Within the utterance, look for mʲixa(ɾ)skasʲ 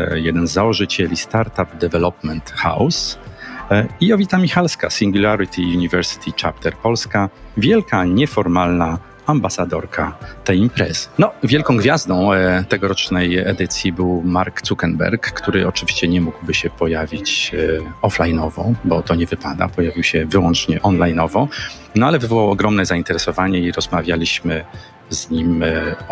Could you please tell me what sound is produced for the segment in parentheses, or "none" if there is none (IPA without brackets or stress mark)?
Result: l